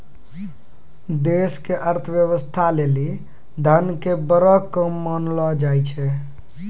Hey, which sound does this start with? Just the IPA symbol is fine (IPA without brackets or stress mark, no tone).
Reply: d̪